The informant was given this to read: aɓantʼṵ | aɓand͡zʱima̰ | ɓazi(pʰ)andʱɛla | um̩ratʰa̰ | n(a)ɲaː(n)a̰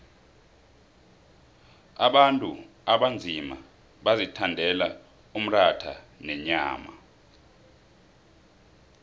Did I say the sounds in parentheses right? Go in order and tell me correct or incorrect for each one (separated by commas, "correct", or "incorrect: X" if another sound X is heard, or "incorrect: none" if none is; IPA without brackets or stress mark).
incorrect: tʰ, incorrect: ɛ, incorrect: m